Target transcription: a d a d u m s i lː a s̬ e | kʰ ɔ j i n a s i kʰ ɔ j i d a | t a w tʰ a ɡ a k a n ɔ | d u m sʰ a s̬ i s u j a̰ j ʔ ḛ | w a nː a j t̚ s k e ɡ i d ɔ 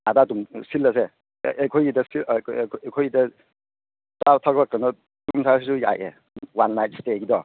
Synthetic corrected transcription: a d a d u m s i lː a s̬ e | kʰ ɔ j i d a s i kʰ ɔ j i d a | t a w tʰ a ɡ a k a n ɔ | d u m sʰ a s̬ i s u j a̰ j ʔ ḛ | w a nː a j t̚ s t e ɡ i d ɔ